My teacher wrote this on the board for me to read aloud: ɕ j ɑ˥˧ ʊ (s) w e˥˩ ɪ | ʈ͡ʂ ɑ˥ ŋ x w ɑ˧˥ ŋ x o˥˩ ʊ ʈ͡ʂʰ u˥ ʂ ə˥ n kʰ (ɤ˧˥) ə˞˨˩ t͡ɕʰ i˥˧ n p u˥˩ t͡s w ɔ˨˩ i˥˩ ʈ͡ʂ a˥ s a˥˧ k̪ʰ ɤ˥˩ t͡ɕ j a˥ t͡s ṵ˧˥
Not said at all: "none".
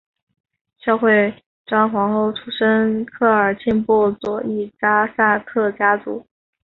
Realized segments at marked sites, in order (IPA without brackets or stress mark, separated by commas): x, ɤ˥˩